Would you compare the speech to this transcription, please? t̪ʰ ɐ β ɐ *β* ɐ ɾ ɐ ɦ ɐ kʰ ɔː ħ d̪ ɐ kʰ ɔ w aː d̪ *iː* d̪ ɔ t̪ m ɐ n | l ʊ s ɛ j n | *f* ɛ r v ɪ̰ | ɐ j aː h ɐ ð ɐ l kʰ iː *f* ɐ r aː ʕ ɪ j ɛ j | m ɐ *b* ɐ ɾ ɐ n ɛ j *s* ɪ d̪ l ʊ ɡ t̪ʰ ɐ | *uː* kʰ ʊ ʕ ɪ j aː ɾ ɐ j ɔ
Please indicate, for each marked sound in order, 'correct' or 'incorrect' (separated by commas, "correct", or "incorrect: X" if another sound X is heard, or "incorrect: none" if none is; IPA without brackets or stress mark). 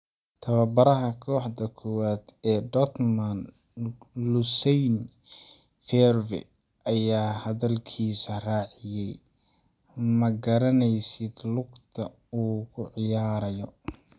incorrect: b, incorrect: ɛː, correct, incorrect: s, incorrect: ɡ, correct, correct